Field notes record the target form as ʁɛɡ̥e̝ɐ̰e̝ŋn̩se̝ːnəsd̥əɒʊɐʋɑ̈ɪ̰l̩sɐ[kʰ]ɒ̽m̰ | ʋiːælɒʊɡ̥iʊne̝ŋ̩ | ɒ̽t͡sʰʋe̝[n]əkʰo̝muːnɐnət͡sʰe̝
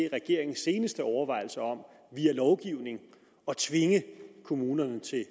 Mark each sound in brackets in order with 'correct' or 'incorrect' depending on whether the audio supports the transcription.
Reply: incorrect, incorrect

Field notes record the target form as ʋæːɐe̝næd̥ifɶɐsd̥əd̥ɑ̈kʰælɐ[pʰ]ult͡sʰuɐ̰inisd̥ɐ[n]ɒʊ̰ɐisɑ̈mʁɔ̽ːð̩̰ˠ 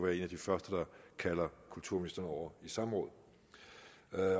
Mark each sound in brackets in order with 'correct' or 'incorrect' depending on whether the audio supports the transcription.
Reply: incorrect, correct

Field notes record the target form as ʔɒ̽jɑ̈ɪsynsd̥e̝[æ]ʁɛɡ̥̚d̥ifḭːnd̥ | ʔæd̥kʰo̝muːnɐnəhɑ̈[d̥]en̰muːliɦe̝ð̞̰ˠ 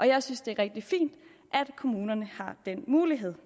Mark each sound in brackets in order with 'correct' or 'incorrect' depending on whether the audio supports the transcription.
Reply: correct, correct

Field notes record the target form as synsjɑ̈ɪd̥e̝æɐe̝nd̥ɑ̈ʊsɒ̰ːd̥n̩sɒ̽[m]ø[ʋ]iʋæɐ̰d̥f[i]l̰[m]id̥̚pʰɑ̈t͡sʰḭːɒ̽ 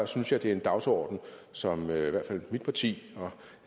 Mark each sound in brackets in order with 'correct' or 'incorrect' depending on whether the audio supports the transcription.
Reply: correct, incorrect, incorrect, correct

